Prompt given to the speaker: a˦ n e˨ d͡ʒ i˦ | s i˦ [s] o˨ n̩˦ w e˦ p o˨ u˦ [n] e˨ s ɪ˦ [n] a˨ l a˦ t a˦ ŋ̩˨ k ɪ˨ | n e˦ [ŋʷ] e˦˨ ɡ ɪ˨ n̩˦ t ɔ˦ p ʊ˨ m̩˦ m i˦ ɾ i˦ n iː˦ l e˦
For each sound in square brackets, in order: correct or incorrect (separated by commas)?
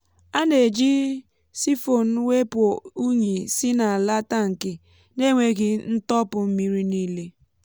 incorrect, incorrect, correct, correct